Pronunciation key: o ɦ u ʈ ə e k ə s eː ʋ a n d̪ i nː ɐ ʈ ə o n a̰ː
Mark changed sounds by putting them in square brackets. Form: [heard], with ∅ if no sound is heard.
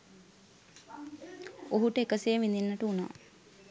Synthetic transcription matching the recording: o ɦ u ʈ ə e k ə s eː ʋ [i] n d̪ i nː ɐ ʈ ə [u] n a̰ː